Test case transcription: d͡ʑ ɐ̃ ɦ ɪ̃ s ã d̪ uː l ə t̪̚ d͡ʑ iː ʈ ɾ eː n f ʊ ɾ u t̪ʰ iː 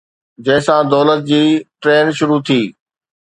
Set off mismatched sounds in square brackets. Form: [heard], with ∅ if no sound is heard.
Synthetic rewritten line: d͡ʑ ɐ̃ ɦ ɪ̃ s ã d̪ [ɔː] l ə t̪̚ d͡ʑ iː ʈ ɾ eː n [ʃ] ʊ ɾ u t̪ʰ iː